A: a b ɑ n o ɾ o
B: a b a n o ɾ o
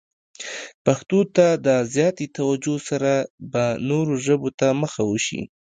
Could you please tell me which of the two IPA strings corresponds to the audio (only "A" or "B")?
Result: B